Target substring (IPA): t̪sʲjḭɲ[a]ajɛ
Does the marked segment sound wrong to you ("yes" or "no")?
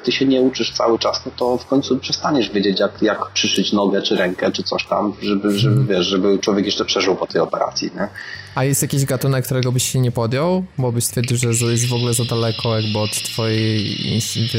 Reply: yes